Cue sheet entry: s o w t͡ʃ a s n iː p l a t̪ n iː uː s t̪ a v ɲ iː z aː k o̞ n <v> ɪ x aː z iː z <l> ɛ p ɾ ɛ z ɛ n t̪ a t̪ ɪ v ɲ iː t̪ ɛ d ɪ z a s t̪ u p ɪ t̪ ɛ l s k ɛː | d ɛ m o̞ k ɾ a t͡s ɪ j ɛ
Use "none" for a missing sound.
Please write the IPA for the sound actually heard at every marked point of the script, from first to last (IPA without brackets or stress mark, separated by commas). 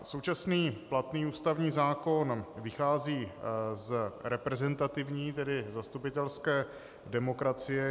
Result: v, ɾ